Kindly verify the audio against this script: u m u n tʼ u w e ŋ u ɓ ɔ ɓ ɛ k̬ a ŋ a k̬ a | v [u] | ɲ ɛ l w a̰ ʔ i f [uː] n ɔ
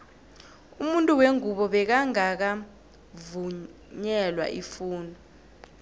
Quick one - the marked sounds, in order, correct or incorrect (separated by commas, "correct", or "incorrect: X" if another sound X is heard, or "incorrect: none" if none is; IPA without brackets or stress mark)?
correct, correct